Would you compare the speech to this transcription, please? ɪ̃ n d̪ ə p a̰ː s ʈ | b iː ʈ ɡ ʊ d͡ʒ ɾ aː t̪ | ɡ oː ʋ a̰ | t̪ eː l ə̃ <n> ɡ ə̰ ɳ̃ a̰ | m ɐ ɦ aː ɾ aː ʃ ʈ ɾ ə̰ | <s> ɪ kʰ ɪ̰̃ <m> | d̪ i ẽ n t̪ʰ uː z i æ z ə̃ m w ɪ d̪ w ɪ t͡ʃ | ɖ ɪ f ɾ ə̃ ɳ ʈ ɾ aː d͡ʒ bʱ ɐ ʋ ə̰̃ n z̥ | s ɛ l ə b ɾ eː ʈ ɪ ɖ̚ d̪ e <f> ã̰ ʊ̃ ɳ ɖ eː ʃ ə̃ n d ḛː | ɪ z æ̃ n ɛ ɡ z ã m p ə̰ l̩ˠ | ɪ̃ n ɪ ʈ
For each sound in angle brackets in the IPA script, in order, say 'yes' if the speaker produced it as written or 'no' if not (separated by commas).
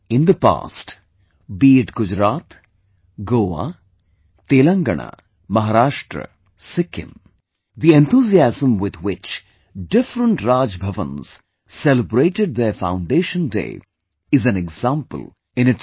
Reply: no, yes, yes, yes